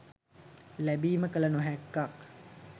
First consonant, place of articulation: alveolar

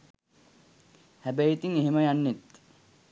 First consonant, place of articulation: glottal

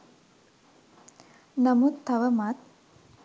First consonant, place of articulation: alveolar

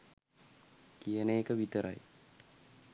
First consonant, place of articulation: velar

